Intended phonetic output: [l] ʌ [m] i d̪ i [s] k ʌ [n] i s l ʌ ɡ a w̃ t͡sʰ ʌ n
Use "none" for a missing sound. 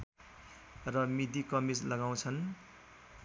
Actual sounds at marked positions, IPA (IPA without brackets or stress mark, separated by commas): r, m, none, m